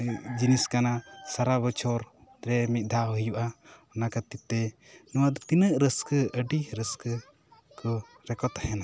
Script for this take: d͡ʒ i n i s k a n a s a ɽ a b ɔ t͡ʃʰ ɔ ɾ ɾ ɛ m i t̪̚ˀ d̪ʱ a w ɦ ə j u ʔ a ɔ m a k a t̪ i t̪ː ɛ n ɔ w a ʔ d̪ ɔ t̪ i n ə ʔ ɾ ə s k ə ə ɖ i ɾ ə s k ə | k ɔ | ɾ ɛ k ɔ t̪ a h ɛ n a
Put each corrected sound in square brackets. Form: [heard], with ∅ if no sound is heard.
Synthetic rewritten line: d͡ʒ i n i s k a n a s a [ɾ] a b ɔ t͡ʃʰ ɔ ɾ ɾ ɛ m i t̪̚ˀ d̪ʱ a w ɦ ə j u ʔ a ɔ [n] a k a t̪ i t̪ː ɛ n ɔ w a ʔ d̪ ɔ t̪ i n ə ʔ ɾ ə s k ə ə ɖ i ɾ ə s k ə | k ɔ | ɾ ɛ k ɔ t̪ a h ɛ n a